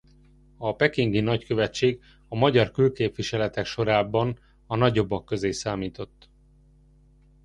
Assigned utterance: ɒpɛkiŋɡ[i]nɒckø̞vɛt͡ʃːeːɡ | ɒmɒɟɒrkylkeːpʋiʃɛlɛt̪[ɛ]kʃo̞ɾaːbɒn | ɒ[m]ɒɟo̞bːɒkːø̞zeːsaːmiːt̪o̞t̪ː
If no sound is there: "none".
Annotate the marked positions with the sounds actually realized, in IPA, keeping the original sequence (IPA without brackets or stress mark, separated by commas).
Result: i, ɛ, n